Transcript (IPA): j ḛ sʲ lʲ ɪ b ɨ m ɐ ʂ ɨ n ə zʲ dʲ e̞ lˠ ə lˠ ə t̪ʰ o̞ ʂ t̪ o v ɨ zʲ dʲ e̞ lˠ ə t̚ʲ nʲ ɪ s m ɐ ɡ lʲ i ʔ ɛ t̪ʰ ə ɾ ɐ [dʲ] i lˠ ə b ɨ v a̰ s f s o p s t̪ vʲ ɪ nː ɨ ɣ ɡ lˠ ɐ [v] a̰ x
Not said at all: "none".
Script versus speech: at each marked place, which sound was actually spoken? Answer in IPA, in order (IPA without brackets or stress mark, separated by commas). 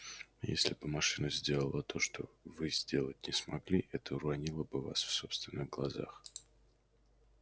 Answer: nʲ, z